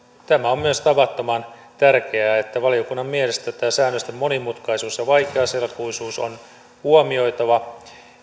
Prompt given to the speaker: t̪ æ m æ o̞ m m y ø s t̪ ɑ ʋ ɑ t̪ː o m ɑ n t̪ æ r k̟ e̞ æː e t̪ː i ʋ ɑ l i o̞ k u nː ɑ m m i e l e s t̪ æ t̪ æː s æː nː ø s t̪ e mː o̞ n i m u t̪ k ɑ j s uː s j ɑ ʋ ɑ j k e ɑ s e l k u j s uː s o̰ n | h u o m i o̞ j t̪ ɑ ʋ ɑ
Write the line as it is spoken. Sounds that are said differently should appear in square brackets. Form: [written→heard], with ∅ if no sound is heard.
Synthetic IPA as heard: t̪ æ m æ o̞ m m y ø s t̪ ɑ ʋ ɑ t̪ː o m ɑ n t̪ æ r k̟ e̞ æː e t̪ː [i→æ] ʋ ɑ l i o̞ k u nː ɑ m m i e l e s t̪ æ t̪ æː s æː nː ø s t̪ e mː o̞ n i m u t̪ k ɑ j s uː s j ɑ ʋ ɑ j k e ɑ s e l k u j s uː s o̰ n | h u o m i o̞ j t̪ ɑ ʋ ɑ